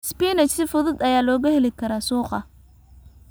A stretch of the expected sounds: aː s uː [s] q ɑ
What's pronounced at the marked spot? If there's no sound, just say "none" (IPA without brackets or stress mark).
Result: none